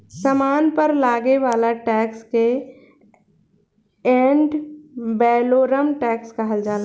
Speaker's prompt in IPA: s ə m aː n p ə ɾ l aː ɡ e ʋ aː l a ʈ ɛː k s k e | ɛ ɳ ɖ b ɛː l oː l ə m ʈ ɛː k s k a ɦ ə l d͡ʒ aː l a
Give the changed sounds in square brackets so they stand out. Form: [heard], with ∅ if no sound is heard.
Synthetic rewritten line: s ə m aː n p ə ɾ l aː ɡ e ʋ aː l a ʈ ɛː k s k e | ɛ ɳ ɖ b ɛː l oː [ɾ] ə m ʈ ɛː k s k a ɦ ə l d͡ʒ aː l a